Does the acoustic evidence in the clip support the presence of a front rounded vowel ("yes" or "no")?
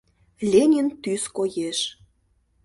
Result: yes